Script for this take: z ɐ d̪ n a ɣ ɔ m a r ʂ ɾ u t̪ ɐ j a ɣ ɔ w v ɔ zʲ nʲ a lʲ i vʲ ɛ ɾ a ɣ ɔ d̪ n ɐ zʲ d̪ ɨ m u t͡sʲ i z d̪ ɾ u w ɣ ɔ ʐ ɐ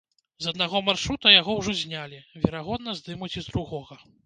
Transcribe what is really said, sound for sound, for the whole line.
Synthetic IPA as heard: z ɐ d̪ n a ɣ ɔ m a r ʂ ɾ u t̪ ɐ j a ɣ ɔ w ʐ ɔ zʲ nʲ a lʲ i vʲ ɛ ɾ a ɣ ɔ d̪ n ɐ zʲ d̪ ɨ m u t͡sʲ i z d̪ ɾ u ɣ ɔ ɣ ɐ